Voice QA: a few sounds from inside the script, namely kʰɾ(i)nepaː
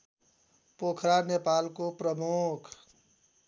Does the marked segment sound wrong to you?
yes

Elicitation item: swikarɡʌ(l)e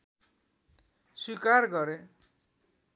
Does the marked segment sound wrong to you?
yes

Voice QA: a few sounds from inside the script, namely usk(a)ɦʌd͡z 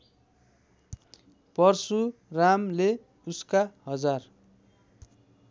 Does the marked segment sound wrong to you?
no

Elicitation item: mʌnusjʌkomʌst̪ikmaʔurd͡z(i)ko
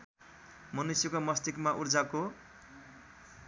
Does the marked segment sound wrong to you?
yes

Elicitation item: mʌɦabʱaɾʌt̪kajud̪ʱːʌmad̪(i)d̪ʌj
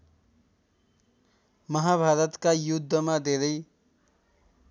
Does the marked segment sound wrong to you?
yes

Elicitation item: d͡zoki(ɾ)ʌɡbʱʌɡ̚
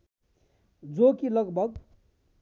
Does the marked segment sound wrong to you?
yes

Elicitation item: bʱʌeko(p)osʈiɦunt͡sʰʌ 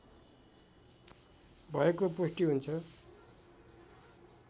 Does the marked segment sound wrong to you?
no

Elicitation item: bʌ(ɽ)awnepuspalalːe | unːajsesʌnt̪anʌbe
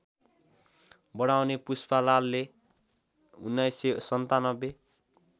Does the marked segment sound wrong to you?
no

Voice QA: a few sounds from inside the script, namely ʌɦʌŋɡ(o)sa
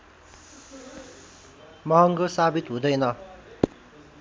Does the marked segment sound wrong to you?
no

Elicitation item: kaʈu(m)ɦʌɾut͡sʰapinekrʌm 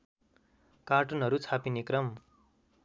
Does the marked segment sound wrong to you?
yes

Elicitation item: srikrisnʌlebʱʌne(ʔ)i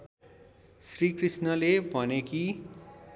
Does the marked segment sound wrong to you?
yes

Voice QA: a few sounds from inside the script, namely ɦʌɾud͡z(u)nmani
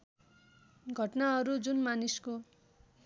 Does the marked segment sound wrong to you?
no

